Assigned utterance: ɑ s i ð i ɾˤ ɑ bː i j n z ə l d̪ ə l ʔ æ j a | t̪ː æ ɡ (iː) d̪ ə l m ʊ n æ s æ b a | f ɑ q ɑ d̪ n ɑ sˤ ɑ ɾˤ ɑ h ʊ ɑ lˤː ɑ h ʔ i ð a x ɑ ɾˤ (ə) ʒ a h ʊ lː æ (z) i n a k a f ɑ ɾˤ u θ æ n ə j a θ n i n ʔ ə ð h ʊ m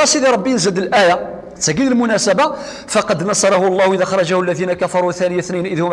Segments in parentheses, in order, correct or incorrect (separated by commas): incorrect, incorrect, incorrect